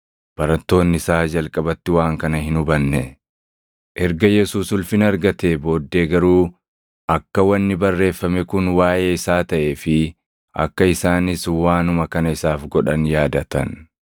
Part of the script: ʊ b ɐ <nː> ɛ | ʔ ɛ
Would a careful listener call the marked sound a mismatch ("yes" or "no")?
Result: no